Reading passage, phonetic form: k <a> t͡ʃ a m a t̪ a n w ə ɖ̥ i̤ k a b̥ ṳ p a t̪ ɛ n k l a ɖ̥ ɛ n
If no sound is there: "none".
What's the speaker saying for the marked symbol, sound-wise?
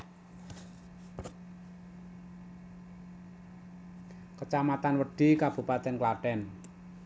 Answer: ə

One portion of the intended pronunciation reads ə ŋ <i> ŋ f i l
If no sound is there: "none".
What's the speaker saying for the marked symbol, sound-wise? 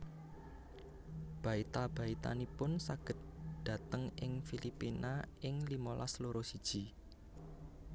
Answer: ɪ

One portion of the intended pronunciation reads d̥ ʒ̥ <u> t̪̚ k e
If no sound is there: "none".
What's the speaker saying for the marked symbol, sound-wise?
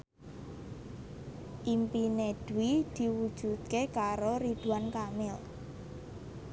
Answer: u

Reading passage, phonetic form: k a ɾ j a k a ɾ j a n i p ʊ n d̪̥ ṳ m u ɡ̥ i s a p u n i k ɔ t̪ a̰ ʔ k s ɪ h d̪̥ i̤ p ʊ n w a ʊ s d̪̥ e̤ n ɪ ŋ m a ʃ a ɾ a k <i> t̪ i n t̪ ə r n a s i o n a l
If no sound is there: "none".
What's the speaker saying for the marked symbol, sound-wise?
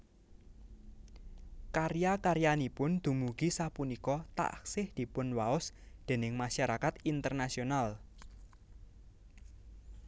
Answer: a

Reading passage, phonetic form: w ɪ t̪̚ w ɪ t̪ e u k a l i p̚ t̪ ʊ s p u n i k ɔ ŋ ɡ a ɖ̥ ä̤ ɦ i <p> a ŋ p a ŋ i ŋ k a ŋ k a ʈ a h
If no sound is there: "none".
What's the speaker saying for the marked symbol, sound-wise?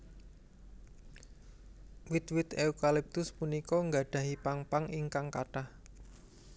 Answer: p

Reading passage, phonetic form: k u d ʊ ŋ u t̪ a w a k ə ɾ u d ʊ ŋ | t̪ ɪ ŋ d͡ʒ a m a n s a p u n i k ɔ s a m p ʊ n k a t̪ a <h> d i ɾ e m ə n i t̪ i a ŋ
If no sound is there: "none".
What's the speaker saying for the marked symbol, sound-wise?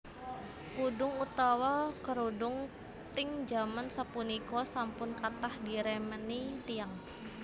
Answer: h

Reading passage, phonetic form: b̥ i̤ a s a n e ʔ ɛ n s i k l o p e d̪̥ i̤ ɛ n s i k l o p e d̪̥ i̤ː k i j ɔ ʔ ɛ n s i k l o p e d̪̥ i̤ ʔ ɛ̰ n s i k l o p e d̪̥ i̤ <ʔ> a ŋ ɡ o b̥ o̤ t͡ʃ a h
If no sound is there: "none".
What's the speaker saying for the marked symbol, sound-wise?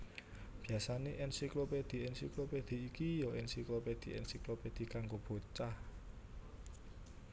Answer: k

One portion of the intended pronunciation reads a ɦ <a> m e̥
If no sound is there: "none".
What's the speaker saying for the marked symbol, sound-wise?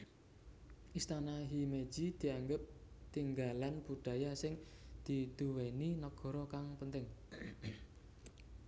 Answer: i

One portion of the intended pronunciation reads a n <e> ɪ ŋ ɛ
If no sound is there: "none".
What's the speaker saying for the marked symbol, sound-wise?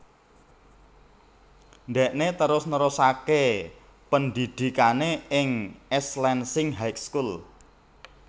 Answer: e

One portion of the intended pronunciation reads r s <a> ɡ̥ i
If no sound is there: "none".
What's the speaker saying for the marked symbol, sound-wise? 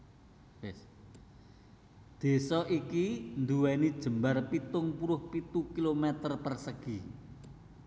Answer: ə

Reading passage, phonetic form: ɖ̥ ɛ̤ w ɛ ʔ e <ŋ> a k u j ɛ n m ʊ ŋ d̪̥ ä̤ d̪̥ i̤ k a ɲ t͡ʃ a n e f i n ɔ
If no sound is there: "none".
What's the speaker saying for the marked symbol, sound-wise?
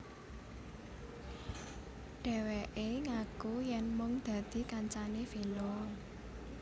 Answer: ŋ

